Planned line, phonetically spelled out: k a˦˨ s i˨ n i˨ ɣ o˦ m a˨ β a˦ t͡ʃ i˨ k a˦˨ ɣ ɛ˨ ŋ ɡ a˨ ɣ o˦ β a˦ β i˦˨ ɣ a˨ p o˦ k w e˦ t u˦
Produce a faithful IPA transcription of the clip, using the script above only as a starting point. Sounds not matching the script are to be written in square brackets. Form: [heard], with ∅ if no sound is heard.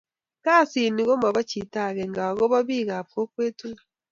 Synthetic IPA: k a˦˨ s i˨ n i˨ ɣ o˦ m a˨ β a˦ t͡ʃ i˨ [t] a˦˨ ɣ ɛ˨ ŋ ɡ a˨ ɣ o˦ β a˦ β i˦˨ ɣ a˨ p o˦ k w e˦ t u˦